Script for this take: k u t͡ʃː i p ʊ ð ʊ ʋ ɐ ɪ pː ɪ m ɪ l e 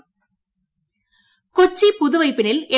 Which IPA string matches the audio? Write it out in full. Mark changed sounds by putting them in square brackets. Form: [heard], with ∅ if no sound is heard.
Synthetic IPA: k [ɔ] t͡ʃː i p ʊ ð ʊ ʋ ɐ ɪ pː ɪ [n] ɪ l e